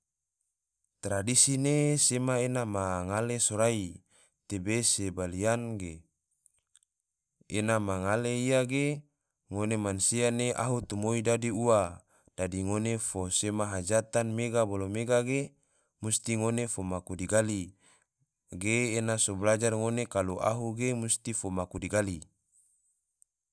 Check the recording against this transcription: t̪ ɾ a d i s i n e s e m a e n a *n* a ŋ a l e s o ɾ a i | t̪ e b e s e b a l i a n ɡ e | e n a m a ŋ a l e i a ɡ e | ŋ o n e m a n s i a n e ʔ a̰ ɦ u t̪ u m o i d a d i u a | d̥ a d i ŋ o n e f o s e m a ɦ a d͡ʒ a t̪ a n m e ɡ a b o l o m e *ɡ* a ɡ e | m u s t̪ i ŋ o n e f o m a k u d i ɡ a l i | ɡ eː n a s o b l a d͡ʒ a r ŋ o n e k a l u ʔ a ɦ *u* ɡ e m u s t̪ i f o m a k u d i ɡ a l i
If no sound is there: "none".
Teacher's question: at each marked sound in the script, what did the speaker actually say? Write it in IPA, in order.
m, ɡ, u

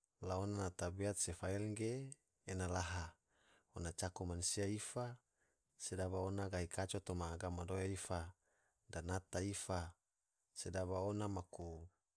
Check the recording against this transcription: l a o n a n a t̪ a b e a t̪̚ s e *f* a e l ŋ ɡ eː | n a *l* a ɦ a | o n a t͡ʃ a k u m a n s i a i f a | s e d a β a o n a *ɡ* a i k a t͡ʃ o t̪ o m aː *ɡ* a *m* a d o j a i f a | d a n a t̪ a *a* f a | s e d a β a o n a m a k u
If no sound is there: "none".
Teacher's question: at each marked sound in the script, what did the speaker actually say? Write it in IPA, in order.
f, l, ɡ, ɡ, m, i

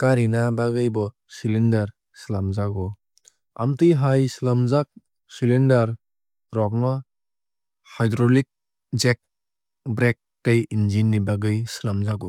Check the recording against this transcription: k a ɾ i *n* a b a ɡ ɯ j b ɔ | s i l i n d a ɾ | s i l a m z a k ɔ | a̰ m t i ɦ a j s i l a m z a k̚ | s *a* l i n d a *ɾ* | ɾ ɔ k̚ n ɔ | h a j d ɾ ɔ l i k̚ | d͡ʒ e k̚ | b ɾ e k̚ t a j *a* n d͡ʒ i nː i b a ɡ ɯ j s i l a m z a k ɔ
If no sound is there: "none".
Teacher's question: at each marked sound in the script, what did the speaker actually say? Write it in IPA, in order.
n, i, ɾ, i

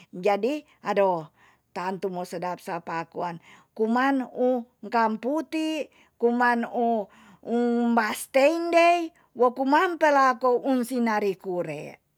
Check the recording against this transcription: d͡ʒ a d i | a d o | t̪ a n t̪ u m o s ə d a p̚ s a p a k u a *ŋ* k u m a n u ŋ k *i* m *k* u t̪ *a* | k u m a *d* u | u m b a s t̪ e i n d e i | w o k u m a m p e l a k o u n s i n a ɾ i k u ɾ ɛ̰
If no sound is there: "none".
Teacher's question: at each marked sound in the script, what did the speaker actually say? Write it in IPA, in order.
n, a, p, i, n

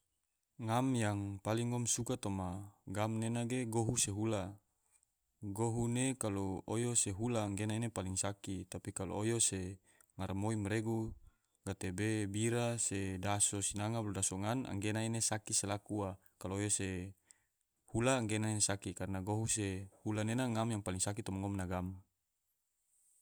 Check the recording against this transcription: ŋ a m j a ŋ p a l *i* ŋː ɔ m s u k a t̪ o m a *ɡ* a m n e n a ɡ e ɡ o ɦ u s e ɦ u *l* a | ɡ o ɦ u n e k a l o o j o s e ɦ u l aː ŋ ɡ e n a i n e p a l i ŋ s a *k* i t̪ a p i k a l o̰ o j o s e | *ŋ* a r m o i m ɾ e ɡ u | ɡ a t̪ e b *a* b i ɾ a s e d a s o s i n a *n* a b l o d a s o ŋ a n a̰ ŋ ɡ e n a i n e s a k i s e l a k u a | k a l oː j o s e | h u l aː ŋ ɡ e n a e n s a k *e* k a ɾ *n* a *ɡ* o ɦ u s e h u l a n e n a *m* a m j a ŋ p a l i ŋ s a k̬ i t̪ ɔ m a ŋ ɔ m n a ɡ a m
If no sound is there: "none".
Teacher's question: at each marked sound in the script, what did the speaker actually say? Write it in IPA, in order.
i, ɡ, l, k, ŋ, e, ŋ, i, n, ɡ, ŋ

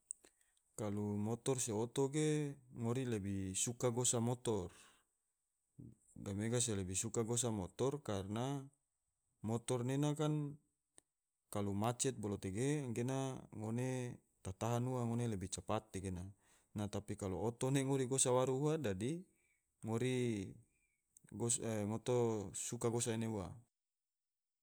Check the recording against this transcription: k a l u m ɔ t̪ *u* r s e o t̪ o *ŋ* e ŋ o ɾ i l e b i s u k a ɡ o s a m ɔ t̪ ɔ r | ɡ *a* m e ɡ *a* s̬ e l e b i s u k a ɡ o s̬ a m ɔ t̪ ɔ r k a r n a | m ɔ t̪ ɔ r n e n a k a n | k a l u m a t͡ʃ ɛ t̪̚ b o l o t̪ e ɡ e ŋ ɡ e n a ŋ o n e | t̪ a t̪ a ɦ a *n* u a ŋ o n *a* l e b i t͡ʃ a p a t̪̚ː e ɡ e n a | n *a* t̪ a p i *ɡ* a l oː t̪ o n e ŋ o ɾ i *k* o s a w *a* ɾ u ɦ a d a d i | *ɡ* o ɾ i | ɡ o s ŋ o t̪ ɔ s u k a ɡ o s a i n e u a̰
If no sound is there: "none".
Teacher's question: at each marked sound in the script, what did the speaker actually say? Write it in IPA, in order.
ɔ, ɡ, a, a, n, e, a, k, ɡ, a, ŋ

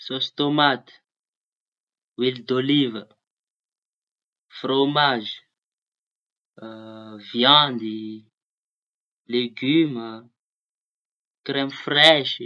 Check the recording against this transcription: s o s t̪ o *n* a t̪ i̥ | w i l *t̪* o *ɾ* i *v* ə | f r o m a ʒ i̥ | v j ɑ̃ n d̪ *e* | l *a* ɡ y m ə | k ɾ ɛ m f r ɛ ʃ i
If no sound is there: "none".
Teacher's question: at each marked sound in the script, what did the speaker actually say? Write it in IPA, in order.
m, d̪, l, v, i, e

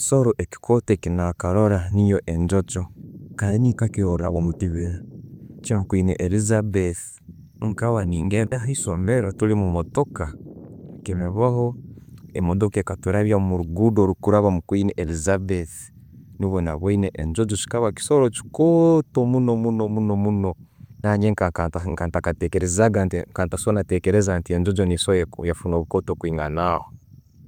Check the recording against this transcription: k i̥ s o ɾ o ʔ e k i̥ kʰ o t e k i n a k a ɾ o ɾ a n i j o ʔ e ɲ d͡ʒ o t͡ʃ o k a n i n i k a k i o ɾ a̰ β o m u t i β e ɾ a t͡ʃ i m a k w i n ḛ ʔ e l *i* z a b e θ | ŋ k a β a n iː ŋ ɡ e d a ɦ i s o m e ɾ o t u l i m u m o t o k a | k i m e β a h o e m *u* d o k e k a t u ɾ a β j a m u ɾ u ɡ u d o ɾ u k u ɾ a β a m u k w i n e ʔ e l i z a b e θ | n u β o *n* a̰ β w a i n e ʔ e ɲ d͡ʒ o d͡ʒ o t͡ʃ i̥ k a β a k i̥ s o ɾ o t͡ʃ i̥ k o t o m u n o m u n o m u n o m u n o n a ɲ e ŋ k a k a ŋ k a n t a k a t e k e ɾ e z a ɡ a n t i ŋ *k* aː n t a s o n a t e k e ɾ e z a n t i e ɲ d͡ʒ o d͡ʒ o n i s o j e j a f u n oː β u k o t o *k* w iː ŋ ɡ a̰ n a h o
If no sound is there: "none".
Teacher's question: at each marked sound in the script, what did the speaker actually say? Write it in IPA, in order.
i, o, n, k, k

